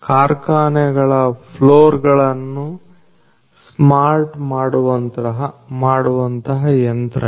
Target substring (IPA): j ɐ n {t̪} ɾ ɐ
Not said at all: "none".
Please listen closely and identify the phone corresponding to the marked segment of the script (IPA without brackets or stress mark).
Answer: t̪